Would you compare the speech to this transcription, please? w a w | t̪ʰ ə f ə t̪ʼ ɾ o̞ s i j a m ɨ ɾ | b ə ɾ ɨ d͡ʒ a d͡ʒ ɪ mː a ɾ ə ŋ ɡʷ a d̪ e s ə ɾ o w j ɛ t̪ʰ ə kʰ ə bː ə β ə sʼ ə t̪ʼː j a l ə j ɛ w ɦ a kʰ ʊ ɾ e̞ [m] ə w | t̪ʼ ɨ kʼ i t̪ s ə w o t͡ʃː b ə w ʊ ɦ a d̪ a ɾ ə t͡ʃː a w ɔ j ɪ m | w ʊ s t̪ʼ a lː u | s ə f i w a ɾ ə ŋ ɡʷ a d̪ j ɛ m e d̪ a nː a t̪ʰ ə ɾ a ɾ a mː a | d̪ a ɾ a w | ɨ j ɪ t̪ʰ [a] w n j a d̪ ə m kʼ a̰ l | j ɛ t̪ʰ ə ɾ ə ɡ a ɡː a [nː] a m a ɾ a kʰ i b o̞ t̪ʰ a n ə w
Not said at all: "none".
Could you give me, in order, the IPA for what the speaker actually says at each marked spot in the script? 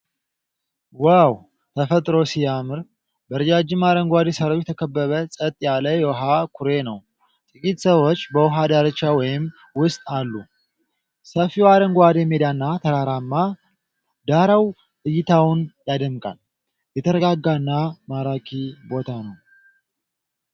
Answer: n, a, nː

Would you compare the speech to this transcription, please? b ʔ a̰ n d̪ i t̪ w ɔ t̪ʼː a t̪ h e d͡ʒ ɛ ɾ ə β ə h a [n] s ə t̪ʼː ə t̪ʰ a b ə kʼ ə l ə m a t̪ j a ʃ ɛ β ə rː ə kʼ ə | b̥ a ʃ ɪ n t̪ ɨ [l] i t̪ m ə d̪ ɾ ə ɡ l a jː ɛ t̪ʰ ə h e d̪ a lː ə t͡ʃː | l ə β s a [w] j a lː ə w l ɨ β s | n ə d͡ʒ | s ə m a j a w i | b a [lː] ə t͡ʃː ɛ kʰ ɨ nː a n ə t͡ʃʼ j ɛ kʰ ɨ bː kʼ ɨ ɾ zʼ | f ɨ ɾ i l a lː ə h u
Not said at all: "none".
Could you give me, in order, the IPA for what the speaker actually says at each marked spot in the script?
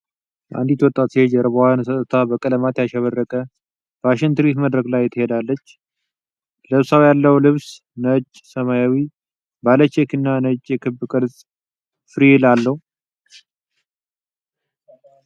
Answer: n, ɾ, w, l

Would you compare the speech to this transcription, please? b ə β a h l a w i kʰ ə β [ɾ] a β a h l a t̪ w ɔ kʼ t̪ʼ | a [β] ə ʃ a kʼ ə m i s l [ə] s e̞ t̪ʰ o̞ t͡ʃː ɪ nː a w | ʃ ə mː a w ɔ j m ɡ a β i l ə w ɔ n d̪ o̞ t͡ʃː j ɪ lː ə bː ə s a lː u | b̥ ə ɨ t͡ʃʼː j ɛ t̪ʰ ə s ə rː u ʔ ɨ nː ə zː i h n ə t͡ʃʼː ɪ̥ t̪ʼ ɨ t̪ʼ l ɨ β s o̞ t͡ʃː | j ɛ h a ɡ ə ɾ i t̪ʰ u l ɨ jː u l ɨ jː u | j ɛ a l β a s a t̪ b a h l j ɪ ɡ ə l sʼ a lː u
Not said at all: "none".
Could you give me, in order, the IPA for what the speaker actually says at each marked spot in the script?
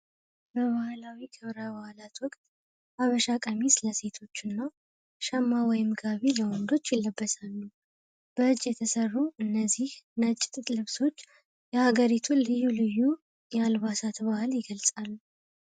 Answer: ɾ, β, ə

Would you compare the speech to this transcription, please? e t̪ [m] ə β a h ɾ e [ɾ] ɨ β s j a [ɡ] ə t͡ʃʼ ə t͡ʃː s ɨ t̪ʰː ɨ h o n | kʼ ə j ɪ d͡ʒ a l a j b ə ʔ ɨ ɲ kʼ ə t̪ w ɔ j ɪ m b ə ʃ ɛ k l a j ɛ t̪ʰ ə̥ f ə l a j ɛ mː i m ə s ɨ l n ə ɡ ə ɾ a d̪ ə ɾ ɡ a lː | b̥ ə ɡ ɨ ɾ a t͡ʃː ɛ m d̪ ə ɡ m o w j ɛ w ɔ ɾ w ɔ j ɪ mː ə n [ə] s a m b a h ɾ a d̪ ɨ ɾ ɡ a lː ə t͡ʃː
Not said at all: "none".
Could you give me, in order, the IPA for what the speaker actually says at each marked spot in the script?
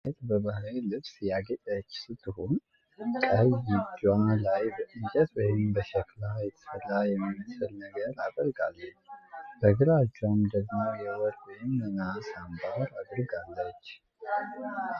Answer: b, l, ɡ, a

